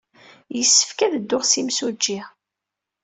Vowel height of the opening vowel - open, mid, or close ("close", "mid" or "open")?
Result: mid